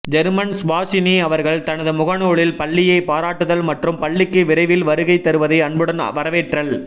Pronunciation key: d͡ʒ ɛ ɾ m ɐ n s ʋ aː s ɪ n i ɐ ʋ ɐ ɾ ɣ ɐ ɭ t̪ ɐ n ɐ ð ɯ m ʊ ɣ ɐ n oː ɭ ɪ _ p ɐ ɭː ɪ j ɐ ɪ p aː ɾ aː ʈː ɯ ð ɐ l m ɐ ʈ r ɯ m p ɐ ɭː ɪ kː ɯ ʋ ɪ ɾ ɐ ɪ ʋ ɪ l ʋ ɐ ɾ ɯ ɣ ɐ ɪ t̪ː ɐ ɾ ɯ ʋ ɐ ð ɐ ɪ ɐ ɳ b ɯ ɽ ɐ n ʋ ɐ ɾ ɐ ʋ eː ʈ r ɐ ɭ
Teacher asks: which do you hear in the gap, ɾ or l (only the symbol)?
l